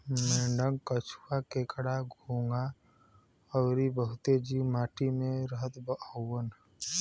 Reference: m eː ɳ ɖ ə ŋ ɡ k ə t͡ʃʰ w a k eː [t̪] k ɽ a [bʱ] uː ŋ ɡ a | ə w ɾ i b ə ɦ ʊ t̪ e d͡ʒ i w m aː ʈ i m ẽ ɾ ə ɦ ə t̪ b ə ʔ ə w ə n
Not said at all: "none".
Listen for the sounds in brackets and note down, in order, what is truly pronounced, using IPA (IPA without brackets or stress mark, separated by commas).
none, ɡʱ